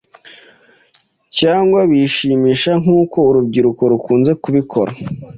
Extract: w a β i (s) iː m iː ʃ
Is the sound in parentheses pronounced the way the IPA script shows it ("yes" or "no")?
no